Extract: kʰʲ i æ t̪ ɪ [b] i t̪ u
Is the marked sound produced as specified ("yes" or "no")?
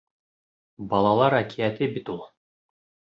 yes